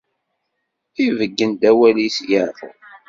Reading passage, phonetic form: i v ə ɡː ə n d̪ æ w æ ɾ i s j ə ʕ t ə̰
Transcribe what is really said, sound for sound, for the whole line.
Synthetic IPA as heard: i v ə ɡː ə n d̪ æ w æ l i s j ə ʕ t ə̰